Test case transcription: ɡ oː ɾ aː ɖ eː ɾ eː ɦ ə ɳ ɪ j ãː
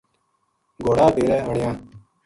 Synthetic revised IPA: ɡ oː ɽ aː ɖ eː ɾ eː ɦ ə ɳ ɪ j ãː